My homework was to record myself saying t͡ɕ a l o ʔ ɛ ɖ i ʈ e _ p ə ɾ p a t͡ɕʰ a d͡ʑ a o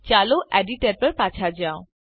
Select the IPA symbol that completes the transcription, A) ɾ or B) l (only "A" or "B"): A